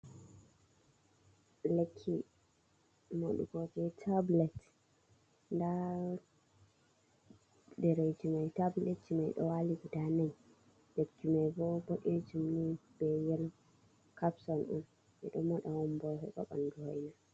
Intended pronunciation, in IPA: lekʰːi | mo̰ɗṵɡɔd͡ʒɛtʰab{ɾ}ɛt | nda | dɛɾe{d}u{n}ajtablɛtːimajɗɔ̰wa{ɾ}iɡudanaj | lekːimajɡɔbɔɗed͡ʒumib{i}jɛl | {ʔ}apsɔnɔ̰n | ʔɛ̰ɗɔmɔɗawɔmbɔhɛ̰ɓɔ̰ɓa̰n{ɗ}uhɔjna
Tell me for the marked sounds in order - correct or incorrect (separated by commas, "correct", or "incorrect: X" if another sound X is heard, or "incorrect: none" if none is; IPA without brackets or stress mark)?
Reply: incorrect: l, incorrect: d͡ʒ, incorrect: m, incorrect: l, incorrect: ɛ, incorrect: k, incorrect: d